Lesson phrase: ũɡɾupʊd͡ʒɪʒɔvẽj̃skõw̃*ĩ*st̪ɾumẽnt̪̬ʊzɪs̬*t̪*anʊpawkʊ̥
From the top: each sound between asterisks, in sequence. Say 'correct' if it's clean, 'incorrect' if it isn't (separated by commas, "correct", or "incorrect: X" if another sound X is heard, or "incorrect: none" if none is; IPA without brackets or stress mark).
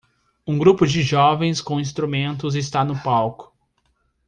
correct, correct